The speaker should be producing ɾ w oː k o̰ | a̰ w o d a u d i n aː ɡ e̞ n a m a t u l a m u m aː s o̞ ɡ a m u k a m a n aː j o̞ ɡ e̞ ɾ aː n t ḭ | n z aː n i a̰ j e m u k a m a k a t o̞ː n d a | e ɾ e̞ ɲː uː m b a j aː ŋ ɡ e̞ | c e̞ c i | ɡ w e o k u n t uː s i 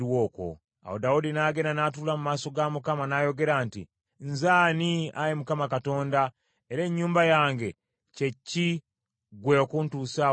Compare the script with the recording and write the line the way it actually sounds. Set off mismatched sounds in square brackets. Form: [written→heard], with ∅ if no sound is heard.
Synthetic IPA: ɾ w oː k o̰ | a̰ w o d a u d i n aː ɡ e̞ n a [m→n] a t u l a m u m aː s o̞ ɡ a m u k a m a n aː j o̞ ɡ e̞ ɾ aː n t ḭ | n z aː n i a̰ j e m u k a m a k a t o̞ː n d a | e ɾ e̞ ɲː uː m b a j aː ŋ ɡ e̞ | c e̞ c i | ɡ w e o k u n t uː s [i→a]